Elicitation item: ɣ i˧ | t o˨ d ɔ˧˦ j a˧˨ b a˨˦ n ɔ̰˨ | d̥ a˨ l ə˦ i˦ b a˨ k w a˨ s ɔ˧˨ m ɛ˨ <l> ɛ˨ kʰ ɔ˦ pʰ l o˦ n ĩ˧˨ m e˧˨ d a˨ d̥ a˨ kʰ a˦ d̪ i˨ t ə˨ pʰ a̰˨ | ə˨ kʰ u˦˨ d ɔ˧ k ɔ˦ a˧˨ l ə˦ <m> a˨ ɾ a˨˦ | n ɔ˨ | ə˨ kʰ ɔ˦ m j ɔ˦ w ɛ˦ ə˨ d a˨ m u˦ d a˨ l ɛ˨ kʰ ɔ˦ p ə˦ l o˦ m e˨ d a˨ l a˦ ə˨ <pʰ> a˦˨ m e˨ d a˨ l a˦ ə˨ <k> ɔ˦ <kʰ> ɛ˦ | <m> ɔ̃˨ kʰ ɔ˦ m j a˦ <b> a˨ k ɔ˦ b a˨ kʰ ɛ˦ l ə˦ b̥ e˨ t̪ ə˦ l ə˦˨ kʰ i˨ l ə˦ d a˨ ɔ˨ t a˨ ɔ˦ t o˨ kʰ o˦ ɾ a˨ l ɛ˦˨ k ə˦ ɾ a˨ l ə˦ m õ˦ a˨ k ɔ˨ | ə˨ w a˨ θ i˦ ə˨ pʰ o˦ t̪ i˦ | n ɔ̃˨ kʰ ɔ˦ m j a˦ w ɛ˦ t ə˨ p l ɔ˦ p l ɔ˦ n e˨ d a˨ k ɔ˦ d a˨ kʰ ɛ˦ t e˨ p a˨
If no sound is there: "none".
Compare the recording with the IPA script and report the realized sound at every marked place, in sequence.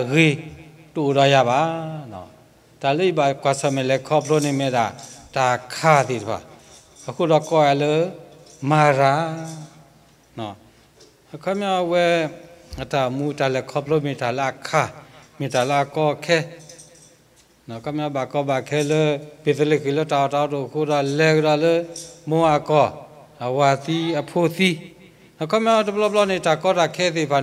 l, m, kʰ, k, kʰ, n, b

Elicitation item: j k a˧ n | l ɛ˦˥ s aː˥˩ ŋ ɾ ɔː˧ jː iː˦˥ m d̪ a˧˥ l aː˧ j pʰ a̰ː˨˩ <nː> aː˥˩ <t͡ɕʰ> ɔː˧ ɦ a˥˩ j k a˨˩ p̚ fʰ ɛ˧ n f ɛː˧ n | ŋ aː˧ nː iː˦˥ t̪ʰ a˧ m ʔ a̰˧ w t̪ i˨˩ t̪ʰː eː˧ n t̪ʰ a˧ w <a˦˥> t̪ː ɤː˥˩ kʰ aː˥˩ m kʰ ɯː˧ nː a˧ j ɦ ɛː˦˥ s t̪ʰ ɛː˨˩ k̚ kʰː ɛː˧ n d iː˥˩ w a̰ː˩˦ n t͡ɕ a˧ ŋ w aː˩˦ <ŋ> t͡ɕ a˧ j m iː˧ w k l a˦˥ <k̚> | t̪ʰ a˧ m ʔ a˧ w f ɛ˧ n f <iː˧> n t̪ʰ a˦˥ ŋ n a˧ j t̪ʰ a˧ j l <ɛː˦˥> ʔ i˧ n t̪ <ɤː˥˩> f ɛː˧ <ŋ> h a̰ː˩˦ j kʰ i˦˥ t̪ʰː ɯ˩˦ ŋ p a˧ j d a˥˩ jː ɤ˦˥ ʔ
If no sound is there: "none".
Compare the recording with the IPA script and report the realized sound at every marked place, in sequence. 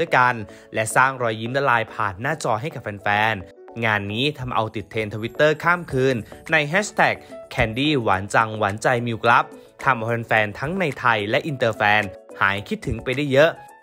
nː, t͡ɕ, i˦˥, n, p̚, ɛː˧, ɛ˦˥, ɤː˧, n

